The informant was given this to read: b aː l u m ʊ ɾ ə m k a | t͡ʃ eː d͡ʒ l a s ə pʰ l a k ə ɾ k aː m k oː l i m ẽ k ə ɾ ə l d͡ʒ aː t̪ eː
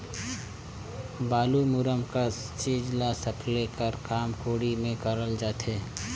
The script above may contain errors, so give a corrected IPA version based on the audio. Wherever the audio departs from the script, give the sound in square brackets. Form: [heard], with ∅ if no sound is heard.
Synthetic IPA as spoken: b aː l u m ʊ ɾ ə m k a | t͡ʃ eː d͡ʒ l a s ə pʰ l [e] k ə ɾ k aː m k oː [ɽ] i m ẽ k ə ɾ ə l d͡ʒ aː t̪ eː